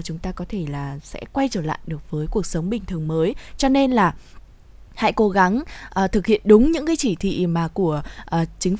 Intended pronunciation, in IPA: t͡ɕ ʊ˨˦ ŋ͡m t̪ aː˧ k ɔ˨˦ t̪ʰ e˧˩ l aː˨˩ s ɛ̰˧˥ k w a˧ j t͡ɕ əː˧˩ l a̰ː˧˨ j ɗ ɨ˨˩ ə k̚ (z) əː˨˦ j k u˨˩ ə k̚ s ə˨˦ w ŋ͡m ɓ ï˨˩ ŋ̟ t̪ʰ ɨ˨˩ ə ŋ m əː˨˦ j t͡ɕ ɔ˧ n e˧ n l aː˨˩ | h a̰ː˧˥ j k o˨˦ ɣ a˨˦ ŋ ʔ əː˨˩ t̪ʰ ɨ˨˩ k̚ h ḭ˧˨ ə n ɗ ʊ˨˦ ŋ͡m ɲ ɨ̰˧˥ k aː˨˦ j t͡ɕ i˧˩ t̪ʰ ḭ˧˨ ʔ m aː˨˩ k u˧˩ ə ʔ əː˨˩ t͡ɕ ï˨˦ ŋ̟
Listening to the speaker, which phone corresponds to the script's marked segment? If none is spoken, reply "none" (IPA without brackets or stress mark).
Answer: v